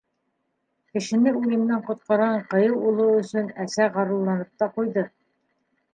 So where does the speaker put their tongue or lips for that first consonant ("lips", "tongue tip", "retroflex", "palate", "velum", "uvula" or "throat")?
velum